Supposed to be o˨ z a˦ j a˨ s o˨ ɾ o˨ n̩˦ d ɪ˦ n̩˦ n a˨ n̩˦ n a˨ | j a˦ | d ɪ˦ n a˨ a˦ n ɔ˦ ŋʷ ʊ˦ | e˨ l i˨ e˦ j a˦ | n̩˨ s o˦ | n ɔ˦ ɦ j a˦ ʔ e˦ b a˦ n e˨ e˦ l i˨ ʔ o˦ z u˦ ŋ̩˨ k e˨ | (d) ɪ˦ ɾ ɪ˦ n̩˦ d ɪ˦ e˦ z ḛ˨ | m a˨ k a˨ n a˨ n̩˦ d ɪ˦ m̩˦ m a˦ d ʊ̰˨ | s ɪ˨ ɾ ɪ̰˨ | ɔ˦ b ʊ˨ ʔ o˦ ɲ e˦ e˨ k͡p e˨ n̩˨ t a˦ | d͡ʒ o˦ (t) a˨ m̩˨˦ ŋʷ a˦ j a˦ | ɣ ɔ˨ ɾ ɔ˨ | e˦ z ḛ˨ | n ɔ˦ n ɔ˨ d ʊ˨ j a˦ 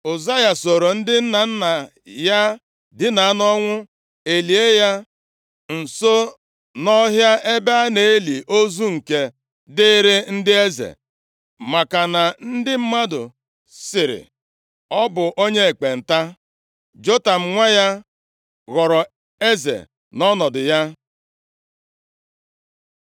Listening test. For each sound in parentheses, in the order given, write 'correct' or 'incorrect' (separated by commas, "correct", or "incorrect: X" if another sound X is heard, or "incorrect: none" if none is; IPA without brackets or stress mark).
correct, correct